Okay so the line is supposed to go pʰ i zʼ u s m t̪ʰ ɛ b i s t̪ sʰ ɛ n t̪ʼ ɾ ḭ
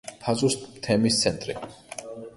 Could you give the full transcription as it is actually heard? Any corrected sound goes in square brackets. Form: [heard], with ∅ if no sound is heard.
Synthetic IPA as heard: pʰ [a] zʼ u s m t̪ʰ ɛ [m] i s t̪ sʰ ɛ n t̪ʼ ɾ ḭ